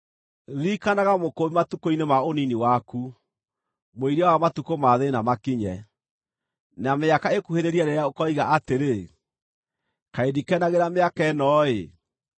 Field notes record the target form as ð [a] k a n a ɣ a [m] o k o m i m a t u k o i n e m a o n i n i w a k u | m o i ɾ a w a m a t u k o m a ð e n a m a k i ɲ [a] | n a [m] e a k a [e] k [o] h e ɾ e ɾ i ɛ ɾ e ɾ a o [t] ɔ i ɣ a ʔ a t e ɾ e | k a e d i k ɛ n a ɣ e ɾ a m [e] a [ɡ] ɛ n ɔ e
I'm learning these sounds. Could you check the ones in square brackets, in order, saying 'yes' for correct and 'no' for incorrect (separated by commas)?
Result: no, yes, no, yes, yes, no, no, yes, no